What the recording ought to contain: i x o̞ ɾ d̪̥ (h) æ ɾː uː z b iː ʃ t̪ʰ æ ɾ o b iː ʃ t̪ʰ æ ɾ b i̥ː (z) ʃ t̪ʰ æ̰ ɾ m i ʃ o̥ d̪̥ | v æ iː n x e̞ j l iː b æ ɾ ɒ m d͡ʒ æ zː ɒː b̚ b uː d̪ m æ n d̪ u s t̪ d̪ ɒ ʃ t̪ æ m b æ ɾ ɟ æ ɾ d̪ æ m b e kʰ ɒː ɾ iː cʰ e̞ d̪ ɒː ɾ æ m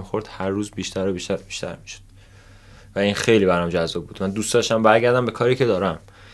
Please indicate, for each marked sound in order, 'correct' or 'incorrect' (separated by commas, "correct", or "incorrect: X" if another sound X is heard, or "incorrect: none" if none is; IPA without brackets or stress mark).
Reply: correct, incorrect: none